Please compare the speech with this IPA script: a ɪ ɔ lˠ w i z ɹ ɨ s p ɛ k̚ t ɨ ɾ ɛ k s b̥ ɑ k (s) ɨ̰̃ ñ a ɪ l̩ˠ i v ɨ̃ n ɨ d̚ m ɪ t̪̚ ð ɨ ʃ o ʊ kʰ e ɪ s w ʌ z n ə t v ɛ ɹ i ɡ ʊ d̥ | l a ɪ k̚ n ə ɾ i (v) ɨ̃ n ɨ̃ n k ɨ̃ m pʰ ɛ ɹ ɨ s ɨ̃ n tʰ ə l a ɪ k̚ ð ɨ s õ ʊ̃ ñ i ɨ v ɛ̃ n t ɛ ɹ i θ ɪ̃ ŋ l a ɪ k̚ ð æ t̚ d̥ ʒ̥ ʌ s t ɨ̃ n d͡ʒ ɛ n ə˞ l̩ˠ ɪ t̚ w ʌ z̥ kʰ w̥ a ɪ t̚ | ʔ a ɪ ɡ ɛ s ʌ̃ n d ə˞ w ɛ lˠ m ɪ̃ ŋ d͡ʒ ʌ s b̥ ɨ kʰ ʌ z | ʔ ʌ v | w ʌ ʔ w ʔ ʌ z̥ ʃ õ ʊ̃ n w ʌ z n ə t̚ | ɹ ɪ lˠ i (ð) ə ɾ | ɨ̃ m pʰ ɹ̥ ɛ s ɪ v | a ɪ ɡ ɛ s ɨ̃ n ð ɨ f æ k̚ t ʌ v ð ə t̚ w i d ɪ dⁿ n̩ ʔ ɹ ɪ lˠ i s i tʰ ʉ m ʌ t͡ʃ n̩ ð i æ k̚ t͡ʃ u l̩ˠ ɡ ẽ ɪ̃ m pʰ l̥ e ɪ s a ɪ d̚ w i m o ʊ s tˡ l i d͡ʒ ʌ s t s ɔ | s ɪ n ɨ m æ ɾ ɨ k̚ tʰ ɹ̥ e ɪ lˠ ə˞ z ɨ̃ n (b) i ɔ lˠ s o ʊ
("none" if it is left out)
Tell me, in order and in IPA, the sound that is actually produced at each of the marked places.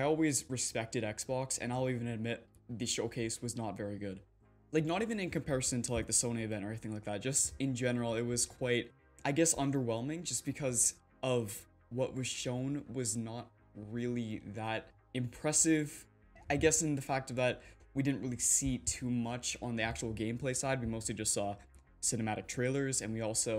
s, v, ð, w

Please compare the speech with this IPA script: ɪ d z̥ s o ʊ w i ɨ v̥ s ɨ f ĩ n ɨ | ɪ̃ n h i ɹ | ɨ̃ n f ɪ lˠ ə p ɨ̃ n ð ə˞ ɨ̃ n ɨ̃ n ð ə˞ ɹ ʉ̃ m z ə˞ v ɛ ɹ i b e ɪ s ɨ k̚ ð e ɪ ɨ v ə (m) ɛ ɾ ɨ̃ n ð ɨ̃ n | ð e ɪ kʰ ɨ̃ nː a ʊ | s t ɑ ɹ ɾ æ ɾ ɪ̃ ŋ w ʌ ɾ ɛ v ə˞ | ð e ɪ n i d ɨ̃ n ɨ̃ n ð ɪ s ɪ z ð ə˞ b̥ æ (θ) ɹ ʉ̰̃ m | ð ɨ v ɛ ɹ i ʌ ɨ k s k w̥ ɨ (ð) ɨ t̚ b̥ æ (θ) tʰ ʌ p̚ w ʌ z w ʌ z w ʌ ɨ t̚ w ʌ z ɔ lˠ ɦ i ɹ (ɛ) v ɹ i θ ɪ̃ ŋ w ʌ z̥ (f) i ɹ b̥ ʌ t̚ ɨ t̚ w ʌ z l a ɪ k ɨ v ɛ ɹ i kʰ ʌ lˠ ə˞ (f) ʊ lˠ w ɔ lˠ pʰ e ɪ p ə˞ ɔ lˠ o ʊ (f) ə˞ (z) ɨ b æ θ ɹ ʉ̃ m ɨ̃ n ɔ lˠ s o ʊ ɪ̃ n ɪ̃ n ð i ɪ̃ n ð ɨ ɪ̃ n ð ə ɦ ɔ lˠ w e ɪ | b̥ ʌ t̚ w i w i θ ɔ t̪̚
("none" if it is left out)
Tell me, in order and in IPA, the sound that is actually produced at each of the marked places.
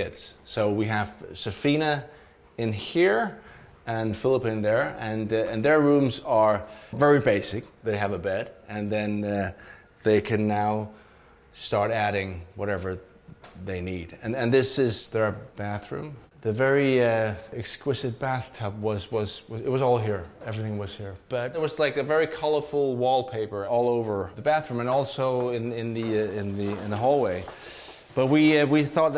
b, θ, z, θ, ɛ, h, f, v, ð

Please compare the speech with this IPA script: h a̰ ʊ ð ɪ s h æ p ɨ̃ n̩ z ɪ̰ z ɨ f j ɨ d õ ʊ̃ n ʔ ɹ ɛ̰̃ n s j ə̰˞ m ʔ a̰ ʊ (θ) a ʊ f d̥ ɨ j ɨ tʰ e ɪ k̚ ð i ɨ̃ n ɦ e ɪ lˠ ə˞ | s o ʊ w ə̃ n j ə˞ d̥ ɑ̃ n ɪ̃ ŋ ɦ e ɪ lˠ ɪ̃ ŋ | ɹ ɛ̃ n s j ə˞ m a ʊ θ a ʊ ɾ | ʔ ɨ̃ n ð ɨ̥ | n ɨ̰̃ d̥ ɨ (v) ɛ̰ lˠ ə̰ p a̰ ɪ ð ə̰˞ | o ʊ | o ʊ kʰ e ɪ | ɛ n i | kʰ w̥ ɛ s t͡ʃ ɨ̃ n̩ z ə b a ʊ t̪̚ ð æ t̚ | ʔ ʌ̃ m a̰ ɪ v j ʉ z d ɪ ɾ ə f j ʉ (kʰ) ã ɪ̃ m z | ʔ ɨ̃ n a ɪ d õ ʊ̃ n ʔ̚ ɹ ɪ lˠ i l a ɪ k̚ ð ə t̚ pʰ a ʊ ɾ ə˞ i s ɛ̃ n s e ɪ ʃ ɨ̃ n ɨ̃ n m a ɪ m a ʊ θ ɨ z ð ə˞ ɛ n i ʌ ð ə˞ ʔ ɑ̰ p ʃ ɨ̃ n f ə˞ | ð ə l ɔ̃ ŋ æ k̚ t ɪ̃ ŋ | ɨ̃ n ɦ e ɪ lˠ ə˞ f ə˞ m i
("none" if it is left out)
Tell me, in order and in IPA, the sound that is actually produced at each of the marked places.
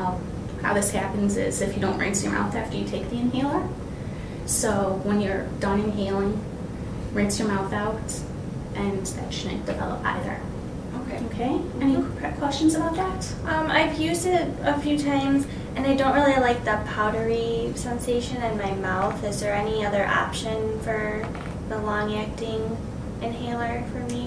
θ, v, tʰ

